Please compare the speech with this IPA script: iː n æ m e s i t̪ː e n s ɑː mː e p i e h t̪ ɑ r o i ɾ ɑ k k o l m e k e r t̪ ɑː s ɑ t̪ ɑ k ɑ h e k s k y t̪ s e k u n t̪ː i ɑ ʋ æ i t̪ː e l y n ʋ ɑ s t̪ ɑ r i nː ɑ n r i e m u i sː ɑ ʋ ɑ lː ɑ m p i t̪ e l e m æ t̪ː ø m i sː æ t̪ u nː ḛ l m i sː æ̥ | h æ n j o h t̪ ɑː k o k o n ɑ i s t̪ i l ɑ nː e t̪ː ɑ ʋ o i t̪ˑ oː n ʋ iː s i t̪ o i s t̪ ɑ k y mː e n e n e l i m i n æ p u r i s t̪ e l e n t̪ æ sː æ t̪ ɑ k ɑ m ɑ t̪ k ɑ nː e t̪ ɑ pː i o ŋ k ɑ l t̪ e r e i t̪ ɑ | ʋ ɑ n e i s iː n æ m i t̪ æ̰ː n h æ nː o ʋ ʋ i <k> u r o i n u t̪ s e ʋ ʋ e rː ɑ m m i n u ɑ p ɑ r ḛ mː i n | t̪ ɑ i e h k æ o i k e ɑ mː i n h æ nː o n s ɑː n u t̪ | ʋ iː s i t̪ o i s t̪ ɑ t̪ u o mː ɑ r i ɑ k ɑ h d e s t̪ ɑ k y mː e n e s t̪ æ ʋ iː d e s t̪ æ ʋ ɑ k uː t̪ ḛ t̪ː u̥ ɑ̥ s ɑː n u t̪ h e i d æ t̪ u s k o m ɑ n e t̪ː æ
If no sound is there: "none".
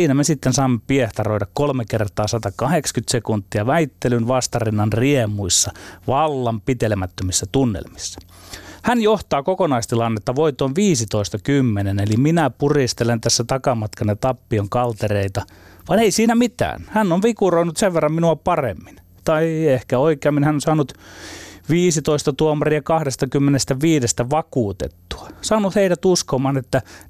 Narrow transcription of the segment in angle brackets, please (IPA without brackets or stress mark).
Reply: k